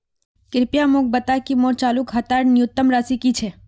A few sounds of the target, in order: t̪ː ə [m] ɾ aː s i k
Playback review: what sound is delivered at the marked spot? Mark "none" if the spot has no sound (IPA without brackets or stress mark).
m